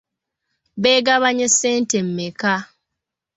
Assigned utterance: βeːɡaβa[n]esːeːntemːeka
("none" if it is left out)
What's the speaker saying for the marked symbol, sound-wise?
ɲ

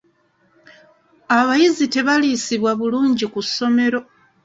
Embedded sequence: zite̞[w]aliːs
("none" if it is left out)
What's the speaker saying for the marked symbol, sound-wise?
β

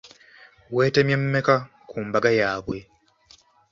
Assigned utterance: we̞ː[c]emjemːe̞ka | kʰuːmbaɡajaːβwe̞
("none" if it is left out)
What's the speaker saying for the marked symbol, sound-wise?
t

